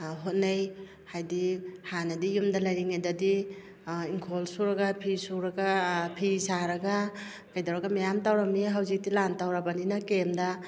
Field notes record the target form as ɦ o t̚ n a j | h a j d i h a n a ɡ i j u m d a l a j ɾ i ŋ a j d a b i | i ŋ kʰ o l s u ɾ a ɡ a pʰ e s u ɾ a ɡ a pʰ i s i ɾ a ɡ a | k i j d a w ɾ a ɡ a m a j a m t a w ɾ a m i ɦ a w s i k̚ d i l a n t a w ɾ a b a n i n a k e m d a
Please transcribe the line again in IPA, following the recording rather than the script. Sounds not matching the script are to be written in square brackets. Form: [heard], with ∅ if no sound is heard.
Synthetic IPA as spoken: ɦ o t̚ n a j | h a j d i h a n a [d] i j u m d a l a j ɾ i ŋ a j d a [d] i | i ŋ kʰ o l s u ɾ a ɡ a pʰ [i] s u ɾ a ɡ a pʰ i s [a] ɾ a ɡ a | k [a] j d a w ɾ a ɡ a m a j a m t a w ɾ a m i ɦ a w [z] i k̚ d i l a n t a w ɾ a b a n i n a k e m d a